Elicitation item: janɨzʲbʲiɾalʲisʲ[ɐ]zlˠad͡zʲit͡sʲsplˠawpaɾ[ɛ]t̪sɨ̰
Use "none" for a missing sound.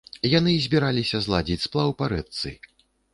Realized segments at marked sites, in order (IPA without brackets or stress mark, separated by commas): ɐ, ɛ